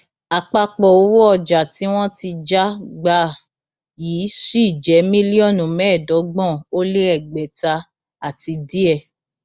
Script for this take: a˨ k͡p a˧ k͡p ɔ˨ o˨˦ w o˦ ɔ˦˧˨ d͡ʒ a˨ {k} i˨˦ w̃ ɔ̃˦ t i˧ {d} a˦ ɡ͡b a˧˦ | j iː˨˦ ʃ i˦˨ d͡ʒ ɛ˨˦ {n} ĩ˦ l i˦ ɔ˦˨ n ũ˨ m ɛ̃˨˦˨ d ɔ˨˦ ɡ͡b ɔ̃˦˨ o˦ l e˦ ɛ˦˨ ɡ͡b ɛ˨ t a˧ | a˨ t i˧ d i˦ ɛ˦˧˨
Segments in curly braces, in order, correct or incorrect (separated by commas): incorrect, incorrect, incorrect